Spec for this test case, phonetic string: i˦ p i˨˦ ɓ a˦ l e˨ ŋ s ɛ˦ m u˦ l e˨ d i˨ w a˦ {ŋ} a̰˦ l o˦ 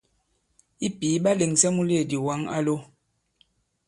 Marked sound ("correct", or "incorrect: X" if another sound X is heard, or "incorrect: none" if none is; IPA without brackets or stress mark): correct